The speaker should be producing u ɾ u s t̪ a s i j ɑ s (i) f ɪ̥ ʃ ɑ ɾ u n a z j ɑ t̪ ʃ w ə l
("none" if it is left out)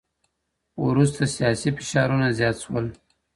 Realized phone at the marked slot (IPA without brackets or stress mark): i